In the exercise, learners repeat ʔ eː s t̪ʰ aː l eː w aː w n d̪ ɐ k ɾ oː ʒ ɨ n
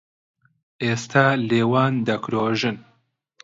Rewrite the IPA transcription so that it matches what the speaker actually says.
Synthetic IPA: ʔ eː s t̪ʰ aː l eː w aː n d̪ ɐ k ɾ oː ʒ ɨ n